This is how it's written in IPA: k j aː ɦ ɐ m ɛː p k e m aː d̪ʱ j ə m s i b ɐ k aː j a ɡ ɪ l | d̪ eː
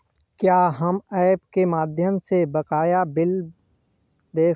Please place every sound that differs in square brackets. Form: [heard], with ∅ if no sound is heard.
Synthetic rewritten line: k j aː ɦ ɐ m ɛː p k e m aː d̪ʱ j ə m s [e] b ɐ k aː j a [b] ɪ l | d̪ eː